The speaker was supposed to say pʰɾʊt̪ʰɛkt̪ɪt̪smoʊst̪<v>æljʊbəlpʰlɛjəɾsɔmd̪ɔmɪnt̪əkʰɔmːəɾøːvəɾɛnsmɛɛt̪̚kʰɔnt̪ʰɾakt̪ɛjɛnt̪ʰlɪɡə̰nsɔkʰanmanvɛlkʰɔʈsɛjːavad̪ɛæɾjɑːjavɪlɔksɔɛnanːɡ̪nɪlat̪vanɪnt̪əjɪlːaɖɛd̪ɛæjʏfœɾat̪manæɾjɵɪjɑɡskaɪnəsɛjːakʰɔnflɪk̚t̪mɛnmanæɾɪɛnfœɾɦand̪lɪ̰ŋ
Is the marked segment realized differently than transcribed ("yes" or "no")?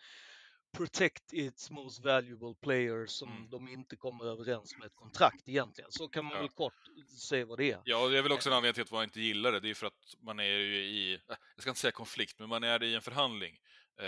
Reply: no